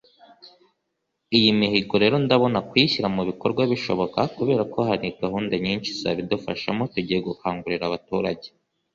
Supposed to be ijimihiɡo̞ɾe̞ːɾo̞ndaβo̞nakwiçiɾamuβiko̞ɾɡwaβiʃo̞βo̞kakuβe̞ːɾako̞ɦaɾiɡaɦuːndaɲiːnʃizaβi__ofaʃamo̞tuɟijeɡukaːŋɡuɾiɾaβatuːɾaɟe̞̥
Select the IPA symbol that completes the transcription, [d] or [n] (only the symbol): d